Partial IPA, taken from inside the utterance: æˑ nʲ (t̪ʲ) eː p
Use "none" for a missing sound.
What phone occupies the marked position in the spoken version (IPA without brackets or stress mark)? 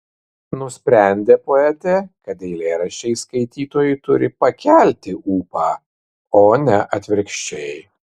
d̪ʲ